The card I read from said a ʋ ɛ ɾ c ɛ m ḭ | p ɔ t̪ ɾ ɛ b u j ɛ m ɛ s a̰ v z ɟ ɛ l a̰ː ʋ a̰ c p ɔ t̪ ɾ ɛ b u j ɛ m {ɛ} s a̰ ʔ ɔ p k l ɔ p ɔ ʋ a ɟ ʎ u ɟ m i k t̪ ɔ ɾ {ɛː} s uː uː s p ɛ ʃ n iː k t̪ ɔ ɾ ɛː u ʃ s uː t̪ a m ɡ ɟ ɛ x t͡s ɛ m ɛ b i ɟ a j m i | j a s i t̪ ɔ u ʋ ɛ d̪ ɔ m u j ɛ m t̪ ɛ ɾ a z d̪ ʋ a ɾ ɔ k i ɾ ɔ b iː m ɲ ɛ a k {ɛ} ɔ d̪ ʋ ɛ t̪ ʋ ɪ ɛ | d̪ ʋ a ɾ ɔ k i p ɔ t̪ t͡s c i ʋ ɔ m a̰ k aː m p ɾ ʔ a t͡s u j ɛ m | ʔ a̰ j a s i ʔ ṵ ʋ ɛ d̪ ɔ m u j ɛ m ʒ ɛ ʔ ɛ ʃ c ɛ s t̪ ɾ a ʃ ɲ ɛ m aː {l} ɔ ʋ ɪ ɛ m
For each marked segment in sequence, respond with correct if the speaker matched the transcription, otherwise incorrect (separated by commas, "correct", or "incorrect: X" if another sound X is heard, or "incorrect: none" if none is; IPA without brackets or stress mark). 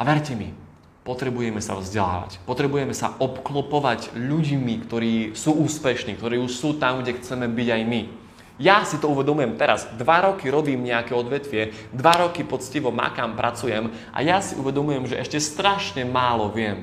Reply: correct, incorrect: iː, correct, correct